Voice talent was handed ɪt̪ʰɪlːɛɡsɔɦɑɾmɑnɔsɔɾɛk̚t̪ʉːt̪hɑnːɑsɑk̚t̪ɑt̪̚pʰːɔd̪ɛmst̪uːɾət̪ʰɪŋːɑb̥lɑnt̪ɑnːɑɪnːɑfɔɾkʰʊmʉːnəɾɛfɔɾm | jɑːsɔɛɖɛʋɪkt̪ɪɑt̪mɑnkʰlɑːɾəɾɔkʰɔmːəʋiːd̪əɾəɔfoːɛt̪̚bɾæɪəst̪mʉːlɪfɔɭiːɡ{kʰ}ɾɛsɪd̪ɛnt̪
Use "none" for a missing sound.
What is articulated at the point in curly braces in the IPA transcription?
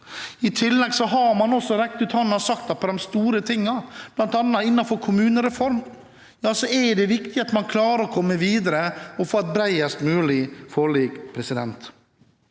pʰ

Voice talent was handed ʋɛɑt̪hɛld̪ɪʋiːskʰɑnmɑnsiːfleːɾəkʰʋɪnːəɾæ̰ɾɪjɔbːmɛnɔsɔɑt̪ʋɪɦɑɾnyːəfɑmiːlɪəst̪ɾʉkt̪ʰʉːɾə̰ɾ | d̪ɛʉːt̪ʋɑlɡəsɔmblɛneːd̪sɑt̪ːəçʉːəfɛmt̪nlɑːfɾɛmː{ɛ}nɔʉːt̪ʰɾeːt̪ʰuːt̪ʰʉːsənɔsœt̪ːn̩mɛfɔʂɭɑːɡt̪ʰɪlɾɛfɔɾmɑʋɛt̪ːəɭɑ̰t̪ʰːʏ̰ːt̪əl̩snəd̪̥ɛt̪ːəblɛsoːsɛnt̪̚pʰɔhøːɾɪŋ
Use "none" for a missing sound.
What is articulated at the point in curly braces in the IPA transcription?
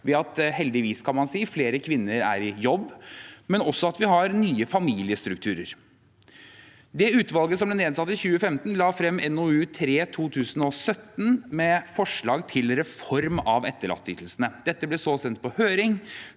ɛ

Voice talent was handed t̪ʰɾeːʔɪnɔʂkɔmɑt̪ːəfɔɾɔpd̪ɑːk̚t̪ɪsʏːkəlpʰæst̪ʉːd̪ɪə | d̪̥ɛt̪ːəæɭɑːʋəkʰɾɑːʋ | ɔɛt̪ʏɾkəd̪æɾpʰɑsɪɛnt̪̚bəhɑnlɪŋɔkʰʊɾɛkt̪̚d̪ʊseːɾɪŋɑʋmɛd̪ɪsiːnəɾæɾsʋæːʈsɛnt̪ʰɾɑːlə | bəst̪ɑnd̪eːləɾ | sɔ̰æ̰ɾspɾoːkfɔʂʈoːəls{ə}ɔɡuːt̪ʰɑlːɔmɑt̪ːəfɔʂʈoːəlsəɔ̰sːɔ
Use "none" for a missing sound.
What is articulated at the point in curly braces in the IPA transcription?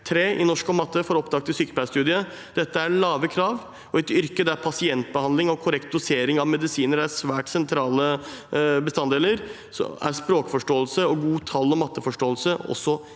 ə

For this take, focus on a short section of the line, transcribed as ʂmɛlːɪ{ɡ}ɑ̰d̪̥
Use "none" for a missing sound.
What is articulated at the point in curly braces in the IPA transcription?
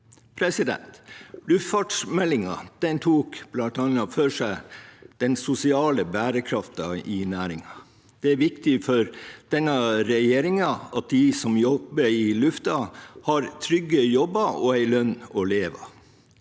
ŋ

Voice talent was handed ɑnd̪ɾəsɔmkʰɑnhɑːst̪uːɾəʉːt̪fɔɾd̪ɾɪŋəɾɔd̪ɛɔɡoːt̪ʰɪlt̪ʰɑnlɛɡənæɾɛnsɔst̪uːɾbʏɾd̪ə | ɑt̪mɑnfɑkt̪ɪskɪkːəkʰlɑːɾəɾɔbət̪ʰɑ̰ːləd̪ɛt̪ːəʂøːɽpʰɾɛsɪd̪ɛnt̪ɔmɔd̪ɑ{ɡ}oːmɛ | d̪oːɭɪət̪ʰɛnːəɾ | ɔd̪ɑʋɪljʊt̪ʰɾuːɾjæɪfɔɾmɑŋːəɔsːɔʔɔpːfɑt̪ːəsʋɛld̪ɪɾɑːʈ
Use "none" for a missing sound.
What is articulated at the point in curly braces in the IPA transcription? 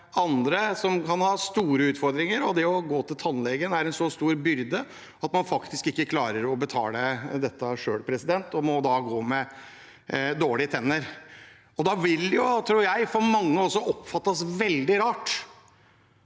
ɡ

